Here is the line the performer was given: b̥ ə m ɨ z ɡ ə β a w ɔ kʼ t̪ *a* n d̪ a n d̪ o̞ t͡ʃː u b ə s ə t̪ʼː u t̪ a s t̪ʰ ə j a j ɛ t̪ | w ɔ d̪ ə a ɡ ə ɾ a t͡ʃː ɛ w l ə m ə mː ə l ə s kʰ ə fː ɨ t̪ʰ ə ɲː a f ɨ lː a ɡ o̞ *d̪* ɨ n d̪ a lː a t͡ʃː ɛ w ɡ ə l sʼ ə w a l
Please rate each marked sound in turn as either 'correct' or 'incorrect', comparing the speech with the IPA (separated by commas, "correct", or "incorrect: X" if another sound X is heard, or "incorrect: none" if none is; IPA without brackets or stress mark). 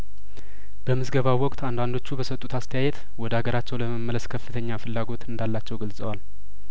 correct, incorrect: t̪